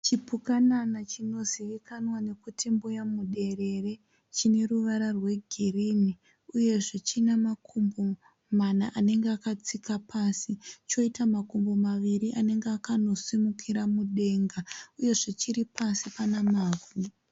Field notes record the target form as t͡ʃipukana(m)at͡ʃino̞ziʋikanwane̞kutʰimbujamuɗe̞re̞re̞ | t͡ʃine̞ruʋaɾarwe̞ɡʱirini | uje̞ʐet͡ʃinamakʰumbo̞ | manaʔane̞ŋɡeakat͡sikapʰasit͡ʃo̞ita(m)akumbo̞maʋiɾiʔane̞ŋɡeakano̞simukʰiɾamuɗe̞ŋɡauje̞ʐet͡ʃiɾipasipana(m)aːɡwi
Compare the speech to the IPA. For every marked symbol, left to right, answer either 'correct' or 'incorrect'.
incorrect: n, correct, correct

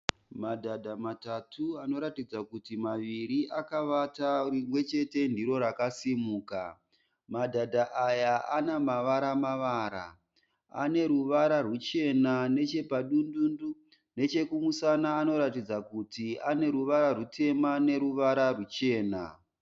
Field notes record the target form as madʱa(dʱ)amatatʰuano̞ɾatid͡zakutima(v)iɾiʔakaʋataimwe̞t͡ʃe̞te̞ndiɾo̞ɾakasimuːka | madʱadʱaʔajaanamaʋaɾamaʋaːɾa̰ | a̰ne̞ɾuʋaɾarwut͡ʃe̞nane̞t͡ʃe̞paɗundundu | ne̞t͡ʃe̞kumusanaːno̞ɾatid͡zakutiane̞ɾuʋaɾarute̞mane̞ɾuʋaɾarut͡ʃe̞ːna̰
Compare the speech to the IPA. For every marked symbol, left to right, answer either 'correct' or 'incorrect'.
correct, incorrect: ʋ

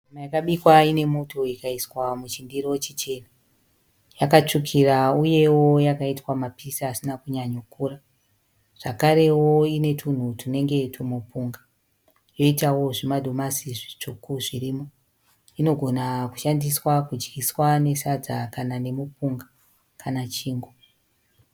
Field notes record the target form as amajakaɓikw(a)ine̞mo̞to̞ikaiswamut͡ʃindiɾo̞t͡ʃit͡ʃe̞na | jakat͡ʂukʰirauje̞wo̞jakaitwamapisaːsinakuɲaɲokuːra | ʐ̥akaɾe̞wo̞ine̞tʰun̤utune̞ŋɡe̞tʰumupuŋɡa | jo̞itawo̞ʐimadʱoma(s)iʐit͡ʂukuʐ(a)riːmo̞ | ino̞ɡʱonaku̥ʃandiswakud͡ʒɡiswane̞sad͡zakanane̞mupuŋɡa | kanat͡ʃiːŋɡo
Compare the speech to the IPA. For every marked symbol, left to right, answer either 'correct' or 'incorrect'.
correct, correct, incorrect: i

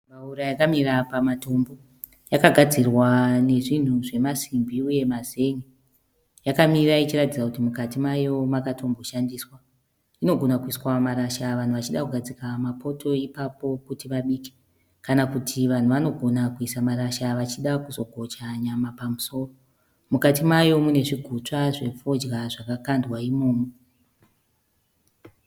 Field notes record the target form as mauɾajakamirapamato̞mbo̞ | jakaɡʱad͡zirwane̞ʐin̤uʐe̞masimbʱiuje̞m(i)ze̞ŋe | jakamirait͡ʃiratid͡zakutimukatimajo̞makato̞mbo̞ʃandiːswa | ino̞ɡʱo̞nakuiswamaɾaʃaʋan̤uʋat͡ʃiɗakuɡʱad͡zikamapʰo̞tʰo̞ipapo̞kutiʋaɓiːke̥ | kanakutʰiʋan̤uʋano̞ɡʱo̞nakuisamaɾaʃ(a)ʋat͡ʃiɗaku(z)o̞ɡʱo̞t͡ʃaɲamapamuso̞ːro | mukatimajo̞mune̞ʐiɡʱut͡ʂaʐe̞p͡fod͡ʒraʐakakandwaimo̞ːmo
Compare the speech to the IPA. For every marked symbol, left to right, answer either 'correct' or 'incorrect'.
incorrect: a, correct, correct

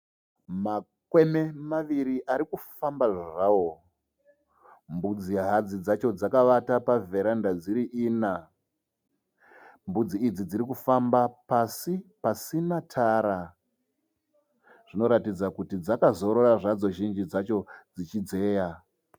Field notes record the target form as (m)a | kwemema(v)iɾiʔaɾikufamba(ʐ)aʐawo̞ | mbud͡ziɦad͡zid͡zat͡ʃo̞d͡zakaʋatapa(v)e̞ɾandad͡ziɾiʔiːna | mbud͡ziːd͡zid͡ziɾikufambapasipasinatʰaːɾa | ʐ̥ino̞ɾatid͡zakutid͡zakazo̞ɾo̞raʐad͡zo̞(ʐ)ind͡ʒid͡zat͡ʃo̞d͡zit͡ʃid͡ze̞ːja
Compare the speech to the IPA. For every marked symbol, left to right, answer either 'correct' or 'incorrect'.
correct, incorrect: ʋ, correct, correct, incorrect: ʒ

